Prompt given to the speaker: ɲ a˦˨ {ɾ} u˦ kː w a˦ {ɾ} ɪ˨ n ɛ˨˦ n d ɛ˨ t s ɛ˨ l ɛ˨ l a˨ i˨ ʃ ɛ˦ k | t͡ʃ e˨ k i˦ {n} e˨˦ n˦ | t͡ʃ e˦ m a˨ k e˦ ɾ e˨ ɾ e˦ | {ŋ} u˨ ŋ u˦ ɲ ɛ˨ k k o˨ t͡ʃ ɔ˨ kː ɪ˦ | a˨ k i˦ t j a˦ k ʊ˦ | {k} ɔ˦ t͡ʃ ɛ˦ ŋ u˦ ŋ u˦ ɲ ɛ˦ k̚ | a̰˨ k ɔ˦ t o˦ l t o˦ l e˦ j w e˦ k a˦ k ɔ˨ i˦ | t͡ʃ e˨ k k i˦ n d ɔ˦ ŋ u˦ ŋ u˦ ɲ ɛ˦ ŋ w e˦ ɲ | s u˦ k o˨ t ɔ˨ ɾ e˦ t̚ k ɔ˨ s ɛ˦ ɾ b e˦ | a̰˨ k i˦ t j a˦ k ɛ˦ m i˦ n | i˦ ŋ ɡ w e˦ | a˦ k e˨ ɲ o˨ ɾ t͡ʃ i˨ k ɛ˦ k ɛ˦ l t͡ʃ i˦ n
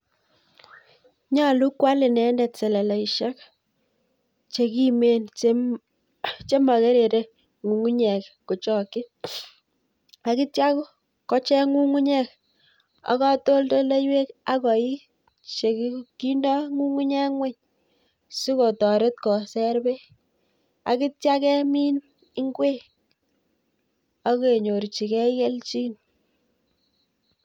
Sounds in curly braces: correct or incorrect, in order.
incorrect: l, incorrect: l, incorrect: m, correct, correct

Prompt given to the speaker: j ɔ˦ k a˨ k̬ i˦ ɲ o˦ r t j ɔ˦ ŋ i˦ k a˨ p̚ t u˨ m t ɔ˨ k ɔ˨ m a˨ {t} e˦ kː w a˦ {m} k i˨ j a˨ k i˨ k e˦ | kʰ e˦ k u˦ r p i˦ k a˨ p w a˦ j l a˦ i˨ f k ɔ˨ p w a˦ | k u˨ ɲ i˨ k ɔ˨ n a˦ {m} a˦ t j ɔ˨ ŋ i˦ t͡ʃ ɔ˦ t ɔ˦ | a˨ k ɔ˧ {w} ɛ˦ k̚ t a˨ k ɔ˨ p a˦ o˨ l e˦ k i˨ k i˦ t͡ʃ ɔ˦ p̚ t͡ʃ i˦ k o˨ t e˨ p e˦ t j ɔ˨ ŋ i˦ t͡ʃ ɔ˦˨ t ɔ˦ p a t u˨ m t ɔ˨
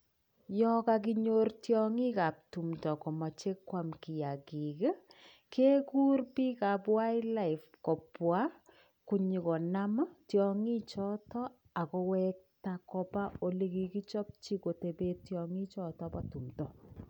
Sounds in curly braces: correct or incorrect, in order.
incorrect: t͡ʃ, correct, correct, correct

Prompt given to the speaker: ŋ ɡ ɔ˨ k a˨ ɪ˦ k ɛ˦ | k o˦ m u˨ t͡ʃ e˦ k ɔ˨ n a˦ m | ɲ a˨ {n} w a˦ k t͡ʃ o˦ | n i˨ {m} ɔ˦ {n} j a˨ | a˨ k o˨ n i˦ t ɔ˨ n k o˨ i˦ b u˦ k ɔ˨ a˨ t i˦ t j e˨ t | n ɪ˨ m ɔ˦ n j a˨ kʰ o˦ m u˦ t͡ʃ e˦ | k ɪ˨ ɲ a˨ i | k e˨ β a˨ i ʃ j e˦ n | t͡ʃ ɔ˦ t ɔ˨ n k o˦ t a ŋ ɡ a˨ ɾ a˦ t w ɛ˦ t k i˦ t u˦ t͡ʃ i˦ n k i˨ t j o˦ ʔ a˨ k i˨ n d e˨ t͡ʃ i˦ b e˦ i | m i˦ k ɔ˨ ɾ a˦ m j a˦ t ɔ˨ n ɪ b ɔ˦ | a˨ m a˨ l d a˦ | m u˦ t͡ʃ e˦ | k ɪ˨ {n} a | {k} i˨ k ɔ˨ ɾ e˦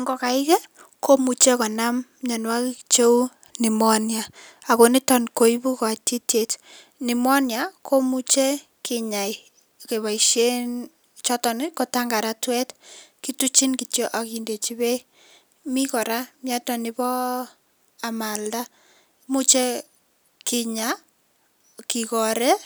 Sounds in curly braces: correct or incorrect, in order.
correct, correct, correct, incorrect: ɲ, correct

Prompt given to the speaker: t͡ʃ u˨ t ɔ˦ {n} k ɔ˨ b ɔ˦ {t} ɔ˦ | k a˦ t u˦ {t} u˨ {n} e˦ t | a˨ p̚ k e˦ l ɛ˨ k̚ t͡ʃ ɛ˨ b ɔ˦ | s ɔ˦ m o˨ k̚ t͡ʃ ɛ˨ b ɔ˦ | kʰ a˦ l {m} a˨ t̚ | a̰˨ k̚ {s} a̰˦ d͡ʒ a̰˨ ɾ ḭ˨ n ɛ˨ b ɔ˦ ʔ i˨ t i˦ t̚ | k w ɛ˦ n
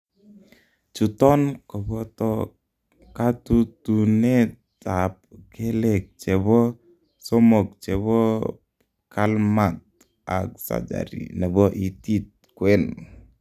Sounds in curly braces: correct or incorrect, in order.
correct, correct, correct, correct, correct, correct

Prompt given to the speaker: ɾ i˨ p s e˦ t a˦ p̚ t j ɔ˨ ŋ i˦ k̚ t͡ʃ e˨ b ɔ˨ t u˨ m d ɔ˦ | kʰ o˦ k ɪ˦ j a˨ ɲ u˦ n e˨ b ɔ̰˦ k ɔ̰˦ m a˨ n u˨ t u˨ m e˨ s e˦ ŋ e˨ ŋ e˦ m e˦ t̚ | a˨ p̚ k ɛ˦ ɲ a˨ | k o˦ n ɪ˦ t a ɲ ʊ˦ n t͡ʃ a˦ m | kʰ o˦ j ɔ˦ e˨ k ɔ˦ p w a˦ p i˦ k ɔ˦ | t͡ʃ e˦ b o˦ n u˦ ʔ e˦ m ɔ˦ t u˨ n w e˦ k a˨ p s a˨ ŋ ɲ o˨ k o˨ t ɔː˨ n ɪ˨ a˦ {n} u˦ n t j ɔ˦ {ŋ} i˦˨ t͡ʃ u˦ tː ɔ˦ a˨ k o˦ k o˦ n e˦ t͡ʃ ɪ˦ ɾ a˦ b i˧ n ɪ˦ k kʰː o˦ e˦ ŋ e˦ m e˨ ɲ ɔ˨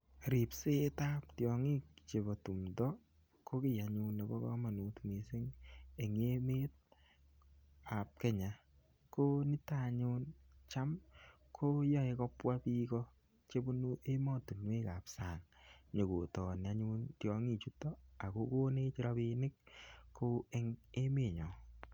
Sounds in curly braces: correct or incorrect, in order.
incorrect: ɲ, correct

